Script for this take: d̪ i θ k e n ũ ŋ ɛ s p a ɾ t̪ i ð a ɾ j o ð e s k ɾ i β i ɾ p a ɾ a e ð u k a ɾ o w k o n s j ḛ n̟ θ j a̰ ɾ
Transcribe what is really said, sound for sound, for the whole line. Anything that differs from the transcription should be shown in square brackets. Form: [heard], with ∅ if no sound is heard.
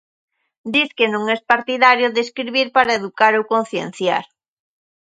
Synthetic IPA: d̪ i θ k e n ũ ŋ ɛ s p a ɾ t̪ i ð a ɾ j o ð e s k ɾ i β i ɾ p a ɾ a e ð u k a ɾ o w k o n [θ] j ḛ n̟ θ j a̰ ɾ